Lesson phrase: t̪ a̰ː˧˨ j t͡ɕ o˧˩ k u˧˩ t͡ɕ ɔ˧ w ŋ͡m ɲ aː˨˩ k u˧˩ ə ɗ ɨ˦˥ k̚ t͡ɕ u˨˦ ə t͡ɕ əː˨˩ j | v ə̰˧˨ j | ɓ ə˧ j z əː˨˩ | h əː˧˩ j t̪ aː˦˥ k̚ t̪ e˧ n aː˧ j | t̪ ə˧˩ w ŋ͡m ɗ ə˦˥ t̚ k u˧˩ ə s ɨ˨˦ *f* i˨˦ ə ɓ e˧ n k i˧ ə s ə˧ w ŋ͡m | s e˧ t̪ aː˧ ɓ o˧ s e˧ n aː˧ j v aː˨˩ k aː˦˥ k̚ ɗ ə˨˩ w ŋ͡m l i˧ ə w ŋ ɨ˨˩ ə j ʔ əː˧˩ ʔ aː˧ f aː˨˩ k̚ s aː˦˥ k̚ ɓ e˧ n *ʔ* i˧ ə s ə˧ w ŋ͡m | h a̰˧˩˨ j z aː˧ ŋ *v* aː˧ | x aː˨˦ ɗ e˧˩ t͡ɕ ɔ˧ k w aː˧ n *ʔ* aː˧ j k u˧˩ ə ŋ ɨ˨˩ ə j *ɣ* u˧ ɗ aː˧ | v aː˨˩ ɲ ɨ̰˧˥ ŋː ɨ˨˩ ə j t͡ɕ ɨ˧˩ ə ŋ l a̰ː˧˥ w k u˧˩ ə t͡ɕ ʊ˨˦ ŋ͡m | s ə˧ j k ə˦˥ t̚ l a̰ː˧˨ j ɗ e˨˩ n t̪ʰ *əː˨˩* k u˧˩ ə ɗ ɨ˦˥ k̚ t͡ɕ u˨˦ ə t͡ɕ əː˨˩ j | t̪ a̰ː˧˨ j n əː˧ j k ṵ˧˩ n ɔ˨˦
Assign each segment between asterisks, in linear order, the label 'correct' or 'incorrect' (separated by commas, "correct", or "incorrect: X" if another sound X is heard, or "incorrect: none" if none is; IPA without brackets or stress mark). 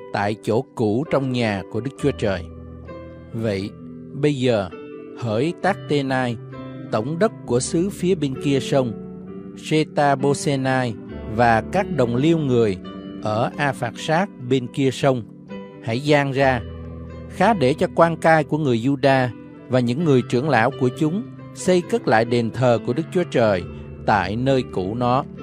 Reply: correct, incorrect: k, incorrect: z, incorrect: k, incorrect: z, correct